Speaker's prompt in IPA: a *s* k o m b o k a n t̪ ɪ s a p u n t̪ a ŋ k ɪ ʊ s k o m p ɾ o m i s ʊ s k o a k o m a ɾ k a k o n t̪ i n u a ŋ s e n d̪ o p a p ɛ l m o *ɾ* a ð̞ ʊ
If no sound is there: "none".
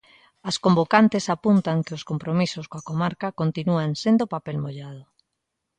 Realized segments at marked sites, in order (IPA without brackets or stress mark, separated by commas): s, ʎ